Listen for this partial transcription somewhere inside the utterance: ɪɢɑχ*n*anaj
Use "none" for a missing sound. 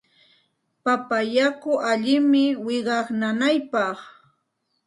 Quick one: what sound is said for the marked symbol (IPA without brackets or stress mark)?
n